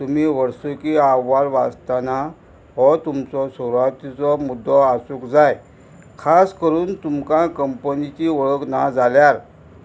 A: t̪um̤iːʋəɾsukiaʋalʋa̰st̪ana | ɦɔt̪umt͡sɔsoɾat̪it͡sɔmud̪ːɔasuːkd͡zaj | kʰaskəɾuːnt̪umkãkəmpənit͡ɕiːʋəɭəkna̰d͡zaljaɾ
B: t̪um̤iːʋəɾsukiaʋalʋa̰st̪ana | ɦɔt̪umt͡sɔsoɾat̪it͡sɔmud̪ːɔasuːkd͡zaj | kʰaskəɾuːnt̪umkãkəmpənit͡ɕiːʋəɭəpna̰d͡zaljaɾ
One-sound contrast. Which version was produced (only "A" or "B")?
A